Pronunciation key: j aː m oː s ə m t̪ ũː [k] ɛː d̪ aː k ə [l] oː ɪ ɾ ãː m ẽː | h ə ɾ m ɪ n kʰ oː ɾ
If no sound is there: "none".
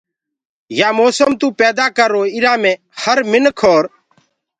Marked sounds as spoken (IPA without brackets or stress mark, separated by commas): p, ɾ